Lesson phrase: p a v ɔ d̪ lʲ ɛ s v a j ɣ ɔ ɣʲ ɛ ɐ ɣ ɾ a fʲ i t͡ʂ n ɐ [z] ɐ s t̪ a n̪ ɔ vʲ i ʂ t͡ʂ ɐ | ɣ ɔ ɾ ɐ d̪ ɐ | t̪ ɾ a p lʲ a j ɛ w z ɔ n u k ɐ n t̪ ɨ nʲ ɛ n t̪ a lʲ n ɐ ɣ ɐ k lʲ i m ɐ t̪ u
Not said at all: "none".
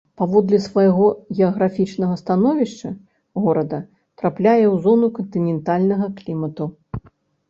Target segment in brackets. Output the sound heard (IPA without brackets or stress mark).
ɣ